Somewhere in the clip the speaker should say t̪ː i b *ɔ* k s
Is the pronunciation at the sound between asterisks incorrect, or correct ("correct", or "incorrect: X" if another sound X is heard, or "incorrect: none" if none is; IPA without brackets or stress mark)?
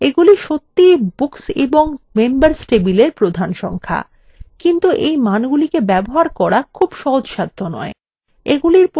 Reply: incorrect: u